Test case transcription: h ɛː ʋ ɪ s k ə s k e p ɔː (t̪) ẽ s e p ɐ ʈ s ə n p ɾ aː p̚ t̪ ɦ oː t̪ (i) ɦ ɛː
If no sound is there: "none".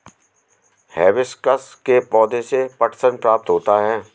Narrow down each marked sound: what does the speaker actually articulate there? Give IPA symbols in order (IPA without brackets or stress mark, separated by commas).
d̪, a